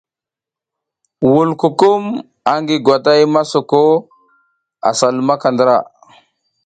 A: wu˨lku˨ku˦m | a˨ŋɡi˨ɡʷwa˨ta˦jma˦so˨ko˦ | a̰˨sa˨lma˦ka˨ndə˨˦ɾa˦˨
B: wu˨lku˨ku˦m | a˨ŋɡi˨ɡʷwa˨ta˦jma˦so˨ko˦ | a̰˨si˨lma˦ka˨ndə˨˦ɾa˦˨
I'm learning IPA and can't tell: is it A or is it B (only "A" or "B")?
A